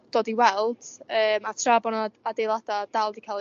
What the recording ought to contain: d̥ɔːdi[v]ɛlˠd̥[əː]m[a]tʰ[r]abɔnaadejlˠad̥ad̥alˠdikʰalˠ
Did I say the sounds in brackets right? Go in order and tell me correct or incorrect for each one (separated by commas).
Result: incorrect, correct, correct, correct